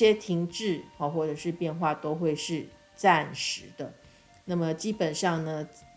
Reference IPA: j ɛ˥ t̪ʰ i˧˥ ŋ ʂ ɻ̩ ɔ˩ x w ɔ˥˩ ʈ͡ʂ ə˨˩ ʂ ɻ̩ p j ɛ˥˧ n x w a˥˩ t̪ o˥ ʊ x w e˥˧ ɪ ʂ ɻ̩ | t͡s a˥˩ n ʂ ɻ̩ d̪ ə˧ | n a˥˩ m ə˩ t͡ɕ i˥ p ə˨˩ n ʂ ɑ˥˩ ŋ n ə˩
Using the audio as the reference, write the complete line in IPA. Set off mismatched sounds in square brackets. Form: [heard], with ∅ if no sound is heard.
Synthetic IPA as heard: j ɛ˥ t̪ʰ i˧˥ ŋ [ʈ͡ʂ] ɻ̩ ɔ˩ x w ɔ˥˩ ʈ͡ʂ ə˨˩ ʂ ɻ̩ p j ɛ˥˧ n x w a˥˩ t̪ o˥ ʊ x w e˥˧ ɪ ʂ ɻ̩ | t͡s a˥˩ n ʂ ɻ̩ d̪ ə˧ | n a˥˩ m ə˩ t͡ɕ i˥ p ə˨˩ n ʂ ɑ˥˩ ŋ n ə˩

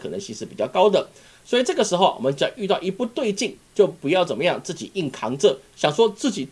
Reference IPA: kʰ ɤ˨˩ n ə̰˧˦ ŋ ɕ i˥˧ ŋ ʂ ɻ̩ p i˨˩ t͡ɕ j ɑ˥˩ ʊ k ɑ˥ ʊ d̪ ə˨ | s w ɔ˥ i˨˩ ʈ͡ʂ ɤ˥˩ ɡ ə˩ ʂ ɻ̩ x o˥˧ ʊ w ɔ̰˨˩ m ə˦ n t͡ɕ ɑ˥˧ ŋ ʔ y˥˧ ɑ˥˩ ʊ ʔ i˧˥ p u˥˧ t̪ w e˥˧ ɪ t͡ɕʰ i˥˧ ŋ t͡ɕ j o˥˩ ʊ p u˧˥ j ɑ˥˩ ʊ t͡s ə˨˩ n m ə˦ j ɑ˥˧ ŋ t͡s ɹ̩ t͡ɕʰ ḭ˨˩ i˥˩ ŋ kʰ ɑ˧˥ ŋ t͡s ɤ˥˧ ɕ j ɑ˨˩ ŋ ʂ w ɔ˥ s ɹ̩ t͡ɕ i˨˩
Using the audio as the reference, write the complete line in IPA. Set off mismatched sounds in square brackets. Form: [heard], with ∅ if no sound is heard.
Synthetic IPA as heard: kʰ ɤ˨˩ n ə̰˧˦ ŋ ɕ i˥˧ ŋ ʂ ɻ̩ p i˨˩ t͡ɕ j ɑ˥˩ ʊ k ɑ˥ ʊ d̪ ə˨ | s w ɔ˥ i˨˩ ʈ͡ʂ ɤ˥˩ ɡ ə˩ ʂ ɻ̩ x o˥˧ ʊ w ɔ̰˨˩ m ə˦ n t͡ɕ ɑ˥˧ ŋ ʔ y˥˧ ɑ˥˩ ʊ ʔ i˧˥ p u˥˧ t̪ w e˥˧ ɪ [t͡ɕ] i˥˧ ŋ t͡ɕ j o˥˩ ʊ p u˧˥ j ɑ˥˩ ʊ t͡s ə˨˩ n m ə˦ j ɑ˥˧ ŋ t͡s ɹ̩ [t͡ɕ] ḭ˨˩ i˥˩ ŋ kʰ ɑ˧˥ ŋ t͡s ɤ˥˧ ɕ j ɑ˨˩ ŋ ʂ w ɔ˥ [t͡s] ɹ̩ t͡ɕ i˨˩

